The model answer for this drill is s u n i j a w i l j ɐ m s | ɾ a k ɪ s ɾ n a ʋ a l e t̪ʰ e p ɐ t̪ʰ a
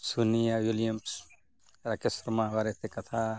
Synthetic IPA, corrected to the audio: s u n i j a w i l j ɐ m s | ɾ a k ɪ s ɾ m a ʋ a ɾ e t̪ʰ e k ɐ t̪ʰ a